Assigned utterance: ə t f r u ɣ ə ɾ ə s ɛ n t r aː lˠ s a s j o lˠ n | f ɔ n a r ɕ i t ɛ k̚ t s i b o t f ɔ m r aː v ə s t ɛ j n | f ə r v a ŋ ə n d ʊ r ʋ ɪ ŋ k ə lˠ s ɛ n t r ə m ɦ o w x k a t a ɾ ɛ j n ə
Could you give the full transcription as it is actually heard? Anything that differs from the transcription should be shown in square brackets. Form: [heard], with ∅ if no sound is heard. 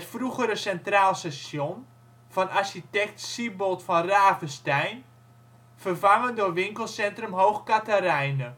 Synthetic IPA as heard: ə t f r u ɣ ə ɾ ə s ɛ n t r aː lˠ s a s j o [∅] n | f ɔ n a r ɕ i t ɛ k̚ t s i b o t f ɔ [n] r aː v ə s t ɛ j n | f ə r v a ŋ ə n d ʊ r ʋ ɪ ŋ k ə lˠ s ɛ n t r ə m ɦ o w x k a t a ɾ ɛ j n ə